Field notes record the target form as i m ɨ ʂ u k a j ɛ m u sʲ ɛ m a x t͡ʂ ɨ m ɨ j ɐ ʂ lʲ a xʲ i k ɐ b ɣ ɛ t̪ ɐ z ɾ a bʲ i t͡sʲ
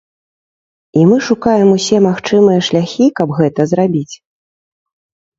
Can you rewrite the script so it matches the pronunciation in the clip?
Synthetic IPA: i m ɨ ʂ u k a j ɛ m u sʲ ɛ m a x t͡ʂ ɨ m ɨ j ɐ ʂ lʲ a xʲ i k ɐ b ɣ ɛ t̪ ɐ z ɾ a bʲ i t͡sʲ